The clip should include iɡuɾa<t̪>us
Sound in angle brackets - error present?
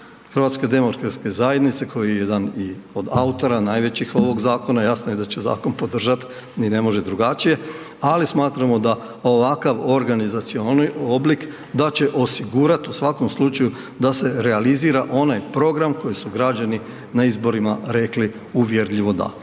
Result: no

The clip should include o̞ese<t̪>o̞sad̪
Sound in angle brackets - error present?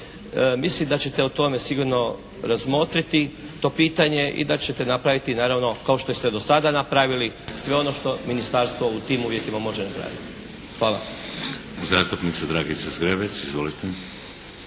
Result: yes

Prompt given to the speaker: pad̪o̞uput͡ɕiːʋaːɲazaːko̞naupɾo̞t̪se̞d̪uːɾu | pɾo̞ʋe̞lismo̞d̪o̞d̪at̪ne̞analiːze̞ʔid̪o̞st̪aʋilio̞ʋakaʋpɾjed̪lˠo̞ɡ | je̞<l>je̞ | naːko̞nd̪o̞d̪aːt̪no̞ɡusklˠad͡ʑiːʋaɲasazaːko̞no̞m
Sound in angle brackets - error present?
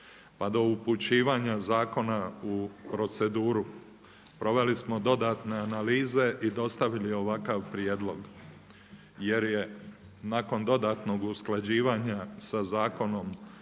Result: yes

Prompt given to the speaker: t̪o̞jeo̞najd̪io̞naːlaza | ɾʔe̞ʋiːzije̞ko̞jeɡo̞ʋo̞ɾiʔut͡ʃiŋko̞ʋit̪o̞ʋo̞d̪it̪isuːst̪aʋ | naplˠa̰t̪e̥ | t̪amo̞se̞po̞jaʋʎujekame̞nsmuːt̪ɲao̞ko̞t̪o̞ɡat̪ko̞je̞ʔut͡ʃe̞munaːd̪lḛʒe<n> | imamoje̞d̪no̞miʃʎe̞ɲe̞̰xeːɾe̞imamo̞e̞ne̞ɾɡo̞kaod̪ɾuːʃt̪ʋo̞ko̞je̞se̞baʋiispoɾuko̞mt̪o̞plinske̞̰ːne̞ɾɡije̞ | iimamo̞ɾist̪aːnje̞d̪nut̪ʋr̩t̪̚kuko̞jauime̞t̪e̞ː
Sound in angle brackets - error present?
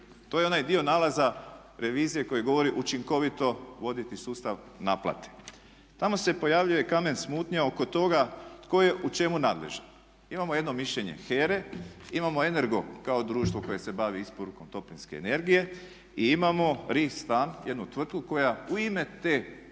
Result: no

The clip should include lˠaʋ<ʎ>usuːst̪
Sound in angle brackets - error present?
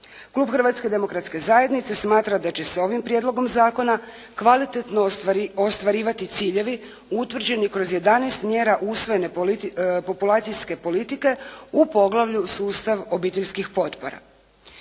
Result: no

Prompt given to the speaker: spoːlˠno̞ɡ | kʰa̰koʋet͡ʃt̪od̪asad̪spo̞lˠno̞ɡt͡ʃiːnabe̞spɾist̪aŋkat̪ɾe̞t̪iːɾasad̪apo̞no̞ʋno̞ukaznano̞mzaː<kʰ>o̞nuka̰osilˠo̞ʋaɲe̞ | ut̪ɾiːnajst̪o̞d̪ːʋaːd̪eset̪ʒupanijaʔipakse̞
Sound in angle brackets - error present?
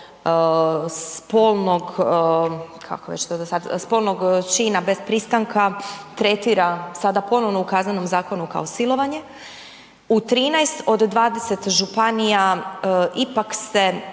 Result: yes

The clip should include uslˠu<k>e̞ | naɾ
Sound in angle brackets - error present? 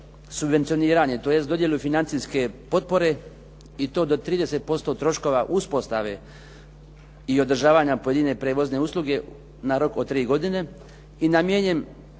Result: yes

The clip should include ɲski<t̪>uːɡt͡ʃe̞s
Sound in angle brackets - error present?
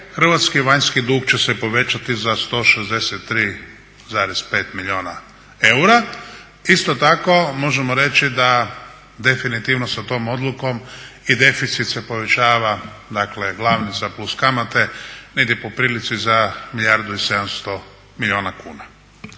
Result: yes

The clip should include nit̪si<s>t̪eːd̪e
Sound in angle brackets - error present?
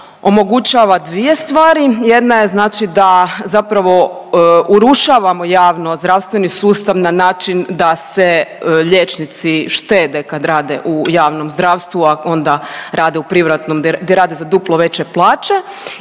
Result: yes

